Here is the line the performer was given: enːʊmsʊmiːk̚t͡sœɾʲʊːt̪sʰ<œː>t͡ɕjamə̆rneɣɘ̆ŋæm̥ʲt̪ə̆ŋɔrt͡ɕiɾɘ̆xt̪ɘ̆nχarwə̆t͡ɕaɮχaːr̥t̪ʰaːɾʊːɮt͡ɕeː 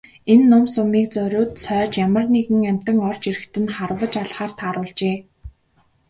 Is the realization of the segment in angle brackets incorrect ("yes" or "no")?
no